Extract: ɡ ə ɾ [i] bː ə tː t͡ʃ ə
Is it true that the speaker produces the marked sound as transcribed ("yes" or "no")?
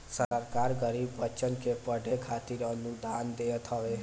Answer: yes